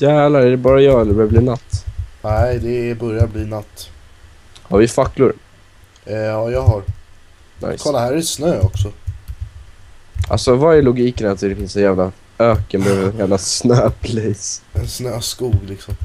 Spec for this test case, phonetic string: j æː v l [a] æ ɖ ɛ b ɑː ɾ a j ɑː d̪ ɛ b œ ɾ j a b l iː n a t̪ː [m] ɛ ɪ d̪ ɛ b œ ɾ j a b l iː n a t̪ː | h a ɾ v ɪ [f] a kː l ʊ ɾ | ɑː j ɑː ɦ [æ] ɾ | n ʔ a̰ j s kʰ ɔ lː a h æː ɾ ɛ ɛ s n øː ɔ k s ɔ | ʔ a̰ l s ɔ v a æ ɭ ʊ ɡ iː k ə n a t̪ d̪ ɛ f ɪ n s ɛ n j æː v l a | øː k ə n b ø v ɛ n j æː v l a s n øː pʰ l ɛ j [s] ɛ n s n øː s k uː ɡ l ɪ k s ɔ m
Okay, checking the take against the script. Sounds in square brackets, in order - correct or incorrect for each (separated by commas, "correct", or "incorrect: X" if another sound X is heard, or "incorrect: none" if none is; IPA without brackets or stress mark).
correct, incorrect: n, correct, incorrect: a, correct